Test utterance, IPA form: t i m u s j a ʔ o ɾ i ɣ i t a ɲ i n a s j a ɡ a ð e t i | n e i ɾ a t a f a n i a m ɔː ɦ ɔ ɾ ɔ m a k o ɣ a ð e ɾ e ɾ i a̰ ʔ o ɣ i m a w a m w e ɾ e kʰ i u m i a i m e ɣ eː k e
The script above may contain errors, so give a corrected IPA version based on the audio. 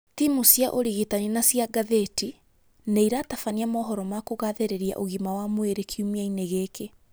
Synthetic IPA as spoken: t i m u s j a ʔ o ɾ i ɣ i t a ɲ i n a s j a ɡ a ð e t i | n e i ɾ a t a f a n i a m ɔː ɦ ɔ ɾ ɔ m a k o ɣ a ð e ɾ e ɾ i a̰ ʔ o ɣ i m a w a m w e ɾ e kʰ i u m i a i n e ɣ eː k e